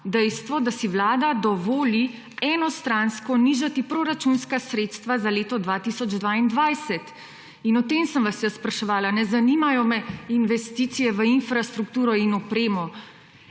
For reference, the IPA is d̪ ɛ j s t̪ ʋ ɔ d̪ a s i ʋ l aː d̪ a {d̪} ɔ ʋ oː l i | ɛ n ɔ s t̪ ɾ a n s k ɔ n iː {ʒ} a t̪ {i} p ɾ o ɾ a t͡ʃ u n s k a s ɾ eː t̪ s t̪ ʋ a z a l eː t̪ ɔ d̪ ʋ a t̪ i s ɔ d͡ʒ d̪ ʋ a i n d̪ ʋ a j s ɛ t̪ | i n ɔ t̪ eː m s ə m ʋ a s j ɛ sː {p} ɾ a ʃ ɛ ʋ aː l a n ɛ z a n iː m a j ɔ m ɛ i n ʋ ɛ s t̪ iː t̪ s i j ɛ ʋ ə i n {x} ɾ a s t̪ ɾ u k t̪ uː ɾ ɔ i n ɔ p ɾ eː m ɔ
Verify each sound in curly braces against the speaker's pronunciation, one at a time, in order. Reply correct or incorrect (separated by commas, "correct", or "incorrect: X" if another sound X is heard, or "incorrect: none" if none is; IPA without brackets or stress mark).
correct, correct, correct, correct, incorrect: f